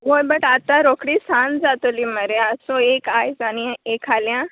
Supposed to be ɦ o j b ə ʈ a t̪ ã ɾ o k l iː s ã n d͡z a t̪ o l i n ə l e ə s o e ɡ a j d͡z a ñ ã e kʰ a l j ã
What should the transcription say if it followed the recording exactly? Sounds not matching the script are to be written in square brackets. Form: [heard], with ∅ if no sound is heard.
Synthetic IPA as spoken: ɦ o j b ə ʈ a t̪ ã ɾ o k [ɽ] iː s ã n d͡z a t̪ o l i [m] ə [ɾ] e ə s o e [k] a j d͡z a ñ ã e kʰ a l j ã